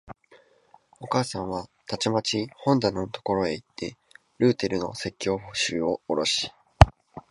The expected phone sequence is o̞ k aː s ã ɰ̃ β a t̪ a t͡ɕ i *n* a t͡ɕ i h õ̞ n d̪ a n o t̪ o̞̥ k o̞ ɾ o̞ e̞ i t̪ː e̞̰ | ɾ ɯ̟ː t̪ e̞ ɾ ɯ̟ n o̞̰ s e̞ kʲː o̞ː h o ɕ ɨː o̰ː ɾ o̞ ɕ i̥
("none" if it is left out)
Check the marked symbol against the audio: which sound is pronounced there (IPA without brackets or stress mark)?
m